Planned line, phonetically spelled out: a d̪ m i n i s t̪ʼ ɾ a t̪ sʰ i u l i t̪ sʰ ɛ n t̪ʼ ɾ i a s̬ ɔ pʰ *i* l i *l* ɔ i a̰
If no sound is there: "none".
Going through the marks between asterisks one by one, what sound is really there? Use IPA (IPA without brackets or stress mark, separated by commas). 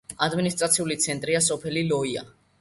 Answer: ɛ, l